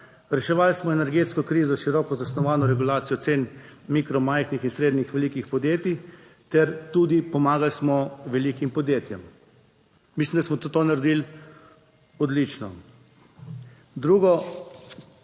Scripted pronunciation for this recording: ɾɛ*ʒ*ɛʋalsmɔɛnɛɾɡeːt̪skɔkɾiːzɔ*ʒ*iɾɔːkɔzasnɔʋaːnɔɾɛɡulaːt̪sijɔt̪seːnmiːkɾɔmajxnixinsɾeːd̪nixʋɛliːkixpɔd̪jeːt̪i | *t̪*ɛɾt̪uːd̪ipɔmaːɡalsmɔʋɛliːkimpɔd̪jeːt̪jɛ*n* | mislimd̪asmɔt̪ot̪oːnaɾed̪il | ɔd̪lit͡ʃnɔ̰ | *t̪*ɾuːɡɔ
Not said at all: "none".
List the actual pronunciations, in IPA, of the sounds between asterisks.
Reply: ʃ, ʃ, t̪, m, d̪

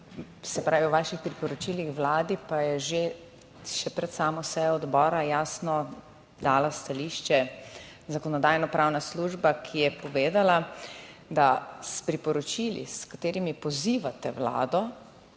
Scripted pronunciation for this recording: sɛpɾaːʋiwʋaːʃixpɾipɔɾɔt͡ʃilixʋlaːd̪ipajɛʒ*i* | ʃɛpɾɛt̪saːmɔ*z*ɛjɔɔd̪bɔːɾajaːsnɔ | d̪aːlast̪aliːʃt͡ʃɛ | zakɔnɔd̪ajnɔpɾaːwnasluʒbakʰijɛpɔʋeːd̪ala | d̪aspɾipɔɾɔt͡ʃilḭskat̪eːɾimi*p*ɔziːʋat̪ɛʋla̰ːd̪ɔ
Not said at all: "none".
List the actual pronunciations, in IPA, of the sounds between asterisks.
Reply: e, s, p

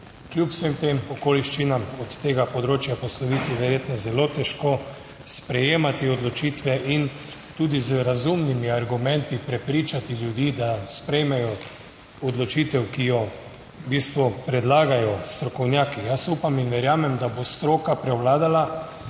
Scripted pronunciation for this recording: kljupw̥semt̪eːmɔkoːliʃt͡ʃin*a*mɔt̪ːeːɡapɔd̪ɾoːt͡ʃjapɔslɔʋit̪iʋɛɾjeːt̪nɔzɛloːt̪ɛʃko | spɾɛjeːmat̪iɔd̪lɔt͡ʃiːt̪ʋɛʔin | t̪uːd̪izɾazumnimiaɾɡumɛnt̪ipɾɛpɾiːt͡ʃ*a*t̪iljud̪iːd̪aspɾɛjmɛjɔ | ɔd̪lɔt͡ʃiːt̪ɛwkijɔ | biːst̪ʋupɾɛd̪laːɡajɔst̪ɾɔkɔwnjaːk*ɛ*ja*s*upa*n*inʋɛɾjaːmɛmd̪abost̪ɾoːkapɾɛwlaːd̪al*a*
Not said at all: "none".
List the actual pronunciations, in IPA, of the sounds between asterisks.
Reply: a, a, i, s, m, a

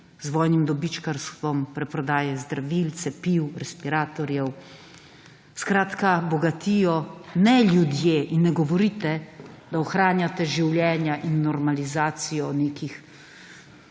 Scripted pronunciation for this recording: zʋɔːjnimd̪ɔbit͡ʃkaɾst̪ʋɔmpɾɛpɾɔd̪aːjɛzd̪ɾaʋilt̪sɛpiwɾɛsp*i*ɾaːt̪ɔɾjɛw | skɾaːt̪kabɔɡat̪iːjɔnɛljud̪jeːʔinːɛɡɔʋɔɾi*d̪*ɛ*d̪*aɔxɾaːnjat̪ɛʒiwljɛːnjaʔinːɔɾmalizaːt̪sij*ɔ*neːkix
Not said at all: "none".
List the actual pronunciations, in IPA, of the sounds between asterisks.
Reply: i, t̪, d̪, ɔ

